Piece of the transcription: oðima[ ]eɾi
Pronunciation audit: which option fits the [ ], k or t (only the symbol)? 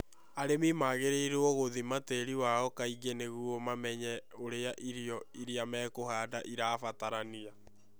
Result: t